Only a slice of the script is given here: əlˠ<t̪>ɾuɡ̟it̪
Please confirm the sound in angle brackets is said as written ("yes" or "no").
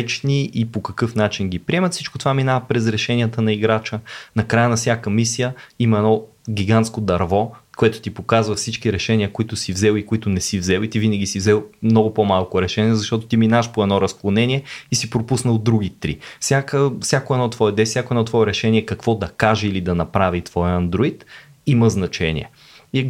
no